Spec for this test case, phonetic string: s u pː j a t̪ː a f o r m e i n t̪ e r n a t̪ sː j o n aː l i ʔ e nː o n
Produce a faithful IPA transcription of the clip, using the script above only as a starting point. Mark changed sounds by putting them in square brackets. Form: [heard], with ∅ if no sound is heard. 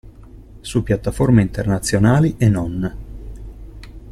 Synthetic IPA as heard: s u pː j a t̪ː a f o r m e i n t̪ e r n a t̪ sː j o n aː l i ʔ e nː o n

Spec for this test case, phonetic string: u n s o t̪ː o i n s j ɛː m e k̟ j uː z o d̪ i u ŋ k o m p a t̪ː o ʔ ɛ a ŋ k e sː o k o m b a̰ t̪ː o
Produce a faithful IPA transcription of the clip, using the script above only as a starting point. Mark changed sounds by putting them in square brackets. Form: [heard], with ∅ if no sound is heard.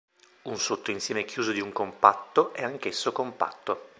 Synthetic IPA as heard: u n s o t̪ː o i n s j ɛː m e k̟ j uː z o d̪ i u ŋ k o m p a t̪ː o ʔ ɛ a ŋ k e sː o k o m [p] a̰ t̪ː o

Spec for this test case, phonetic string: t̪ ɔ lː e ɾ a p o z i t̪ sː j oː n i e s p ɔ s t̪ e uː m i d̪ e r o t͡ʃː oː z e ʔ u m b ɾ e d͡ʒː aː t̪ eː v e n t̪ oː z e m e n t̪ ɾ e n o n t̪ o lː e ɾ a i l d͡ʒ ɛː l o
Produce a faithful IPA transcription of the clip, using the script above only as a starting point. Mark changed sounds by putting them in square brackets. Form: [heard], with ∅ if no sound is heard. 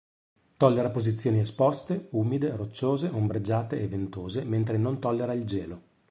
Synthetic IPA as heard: t̪ ɔ lː e ɾ a p o z i t̪ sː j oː n i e s p ɔ s t̪ e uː m i d̪ e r o t͡ʃː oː z e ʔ [o] m b ɾ e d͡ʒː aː t̪ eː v e n t̪ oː z e m e n t̪ ɾ e n o n t̪ [ɔ] lː e ɾ a i l d͡ʒ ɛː l o

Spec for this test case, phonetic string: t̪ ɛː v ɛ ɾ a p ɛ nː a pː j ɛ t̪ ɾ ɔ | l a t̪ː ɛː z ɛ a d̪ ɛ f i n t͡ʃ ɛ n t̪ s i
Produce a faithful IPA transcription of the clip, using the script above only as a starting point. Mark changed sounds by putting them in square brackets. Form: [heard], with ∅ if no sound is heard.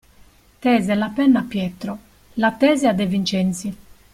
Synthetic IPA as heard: t̪ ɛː [z] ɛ [l] a p ɛ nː a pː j ɛ t̪ ɾ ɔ | l a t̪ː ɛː z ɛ a d̪ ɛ [v] i n t͡ʃ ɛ n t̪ s i

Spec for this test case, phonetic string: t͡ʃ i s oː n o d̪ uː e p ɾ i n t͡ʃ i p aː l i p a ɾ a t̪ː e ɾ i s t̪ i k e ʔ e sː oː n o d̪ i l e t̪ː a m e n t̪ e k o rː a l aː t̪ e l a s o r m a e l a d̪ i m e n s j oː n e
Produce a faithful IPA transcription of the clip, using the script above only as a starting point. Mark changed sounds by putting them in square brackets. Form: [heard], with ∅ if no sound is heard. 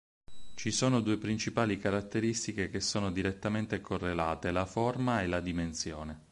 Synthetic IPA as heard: t͡ʃ i s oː n o d̪ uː e p ɾ i n t͡ʃ i p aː l i [k] a ɾ a t̪ː e ɾ i s t̪ i k e [k] e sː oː n o d̪ i [ɾ] e t̪ː a m e n t̪ e k o rː [e] l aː t̪ e l a [f] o r m a e l a d̪ i m e n s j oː n e

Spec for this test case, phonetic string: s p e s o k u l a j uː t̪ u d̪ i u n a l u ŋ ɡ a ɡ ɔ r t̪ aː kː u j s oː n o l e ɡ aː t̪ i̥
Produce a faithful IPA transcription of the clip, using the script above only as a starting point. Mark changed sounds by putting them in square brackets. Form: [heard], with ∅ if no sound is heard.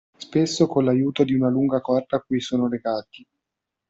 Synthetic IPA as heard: s p e [sː] o k [o] l a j uː t̪ [o] d̪ i u n a l u ŋ ɡ a [k] ɔ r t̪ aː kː u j s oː n o l e ɡ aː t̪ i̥

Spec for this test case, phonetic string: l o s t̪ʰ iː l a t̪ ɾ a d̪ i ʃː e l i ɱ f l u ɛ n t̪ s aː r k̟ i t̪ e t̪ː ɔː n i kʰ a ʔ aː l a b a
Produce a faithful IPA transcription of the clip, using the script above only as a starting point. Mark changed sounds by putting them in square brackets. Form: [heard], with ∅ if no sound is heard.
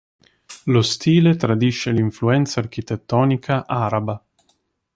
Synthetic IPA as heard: l o s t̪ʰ iː l [e] t̪ ɾ a d̪ i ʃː e l i ɱ f l u ɛ n t̪ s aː r k̟ i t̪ e t̪ː ɔː n i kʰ a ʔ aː [ɾ] a b a

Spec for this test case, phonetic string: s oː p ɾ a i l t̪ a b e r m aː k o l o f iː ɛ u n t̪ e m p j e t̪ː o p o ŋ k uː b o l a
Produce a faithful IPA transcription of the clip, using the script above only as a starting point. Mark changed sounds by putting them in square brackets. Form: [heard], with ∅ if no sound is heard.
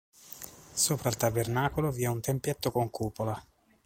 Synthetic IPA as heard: s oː p ɾ a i l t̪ a b e r [n] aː k o l o [v] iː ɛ u n t̪ e m p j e t̪ː o [k] o ŋ k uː [p] o l a

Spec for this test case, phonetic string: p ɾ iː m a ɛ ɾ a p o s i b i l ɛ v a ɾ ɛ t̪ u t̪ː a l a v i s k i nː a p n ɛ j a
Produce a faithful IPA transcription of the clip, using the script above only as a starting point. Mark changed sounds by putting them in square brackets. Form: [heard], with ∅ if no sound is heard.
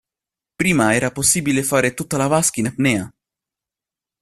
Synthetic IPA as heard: p ɾ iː m a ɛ ɾ a p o s i b i l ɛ [f] a ɾ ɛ t̪ u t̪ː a l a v [a] s k i [n] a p n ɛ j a

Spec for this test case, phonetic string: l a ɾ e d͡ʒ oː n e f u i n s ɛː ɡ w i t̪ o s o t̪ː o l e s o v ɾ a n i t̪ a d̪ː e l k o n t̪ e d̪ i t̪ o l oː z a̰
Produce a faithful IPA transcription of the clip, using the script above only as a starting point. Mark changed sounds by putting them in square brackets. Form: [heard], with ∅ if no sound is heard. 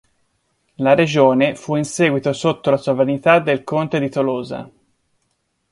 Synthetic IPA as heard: l a ɾ e d͡ʒ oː n e f u i n s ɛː ɡ w i t̪ o s o t̪ː o l [a] s o v ɾ a n i t̪ a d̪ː e l k o n t̪ e d̪ i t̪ o l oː z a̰

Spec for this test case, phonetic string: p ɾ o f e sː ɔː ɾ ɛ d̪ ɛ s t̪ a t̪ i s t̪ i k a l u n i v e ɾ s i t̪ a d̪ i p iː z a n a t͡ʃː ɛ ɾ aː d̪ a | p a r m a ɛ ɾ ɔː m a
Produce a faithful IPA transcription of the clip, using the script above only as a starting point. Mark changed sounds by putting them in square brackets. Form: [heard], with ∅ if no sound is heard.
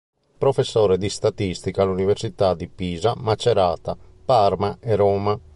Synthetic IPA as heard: p ɾ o f e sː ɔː ɾ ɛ d̪ [i] s t̪ a t̪ i s t̪ i k a l u n i v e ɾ s i t̪ a d̪ i p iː z a [m] a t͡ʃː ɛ ɾ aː [t̪] a | p a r m a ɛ ɾ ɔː m a

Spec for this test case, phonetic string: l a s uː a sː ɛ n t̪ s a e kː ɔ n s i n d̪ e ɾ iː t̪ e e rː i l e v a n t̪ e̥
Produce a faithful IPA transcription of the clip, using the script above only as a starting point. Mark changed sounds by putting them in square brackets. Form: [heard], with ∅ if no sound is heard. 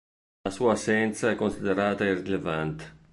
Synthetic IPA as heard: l a s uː a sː ɛ n t̪ s a [ɛ] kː [o] n s i [∅] d̪ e ɾ [aː] t̪ [a] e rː i l e v a n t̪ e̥

